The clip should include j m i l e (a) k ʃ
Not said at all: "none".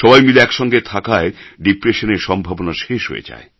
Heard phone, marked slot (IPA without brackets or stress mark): ɛ